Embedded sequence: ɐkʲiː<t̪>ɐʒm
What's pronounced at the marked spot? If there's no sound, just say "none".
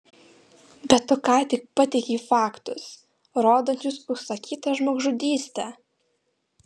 t̪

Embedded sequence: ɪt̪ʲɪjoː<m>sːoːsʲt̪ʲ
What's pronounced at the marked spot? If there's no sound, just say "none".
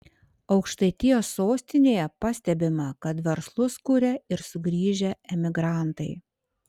none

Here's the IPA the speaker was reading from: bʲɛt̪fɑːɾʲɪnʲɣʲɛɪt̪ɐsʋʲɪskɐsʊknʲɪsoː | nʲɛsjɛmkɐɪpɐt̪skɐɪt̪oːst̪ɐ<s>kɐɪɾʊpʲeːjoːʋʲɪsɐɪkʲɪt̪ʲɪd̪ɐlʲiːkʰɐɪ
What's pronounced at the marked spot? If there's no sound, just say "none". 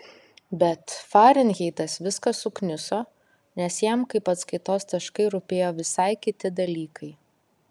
ʃ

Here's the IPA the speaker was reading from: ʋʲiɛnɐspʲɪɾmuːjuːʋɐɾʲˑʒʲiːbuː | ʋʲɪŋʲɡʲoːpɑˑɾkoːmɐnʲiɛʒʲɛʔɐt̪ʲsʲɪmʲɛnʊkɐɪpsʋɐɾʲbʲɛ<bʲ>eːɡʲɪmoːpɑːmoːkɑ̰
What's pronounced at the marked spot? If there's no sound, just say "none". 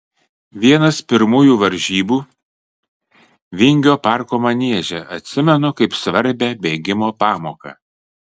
bʲ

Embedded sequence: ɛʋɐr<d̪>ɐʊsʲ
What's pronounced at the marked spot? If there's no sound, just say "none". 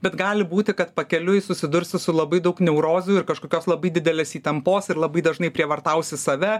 t̪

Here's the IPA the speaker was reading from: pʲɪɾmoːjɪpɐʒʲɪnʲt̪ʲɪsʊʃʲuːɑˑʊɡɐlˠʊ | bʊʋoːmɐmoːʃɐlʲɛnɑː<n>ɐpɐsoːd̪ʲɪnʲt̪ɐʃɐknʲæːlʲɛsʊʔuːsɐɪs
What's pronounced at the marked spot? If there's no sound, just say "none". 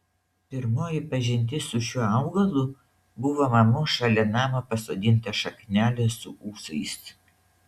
m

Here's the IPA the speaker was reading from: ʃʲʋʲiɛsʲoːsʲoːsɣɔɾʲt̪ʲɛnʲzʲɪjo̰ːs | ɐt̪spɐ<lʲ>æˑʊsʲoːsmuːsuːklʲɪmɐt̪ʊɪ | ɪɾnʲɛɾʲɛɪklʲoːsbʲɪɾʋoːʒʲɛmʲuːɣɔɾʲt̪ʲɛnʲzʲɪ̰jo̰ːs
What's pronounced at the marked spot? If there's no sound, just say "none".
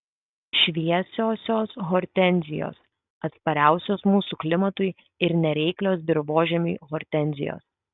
ɾʲ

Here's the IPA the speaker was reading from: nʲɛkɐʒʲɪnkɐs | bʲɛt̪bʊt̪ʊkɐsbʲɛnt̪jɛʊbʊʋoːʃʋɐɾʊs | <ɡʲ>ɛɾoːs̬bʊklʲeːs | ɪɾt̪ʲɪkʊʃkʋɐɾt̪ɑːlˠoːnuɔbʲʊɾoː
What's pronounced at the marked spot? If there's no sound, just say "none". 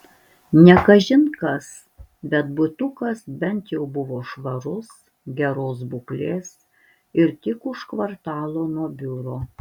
ɡʲ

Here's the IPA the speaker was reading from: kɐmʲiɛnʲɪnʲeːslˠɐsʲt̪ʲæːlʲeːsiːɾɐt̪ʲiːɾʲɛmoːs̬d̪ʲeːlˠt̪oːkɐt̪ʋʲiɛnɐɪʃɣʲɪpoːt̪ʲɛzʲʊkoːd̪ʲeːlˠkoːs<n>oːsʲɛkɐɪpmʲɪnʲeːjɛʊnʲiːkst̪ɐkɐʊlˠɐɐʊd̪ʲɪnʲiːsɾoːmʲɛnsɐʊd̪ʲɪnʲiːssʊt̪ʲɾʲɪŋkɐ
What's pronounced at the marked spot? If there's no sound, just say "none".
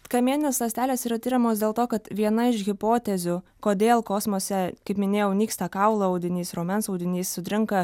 m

